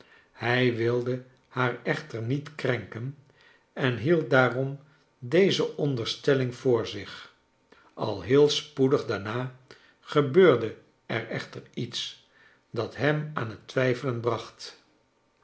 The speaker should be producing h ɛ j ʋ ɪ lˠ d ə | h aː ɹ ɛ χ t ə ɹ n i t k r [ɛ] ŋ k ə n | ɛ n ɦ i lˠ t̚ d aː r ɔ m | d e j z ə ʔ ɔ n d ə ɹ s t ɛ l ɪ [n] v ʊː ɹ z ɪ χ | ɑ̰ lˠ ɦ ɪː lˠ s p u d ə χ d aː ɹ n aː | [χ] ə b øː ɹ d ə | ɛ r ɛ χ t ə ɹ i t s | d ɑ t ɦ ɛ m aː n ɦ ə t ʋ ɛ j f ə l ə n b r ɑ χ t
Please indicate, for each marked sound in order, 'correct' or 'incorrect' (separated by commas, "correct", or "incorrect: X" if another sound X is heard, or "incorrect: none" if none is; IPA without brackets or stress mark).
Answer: correct, incorrect: ŋ, correct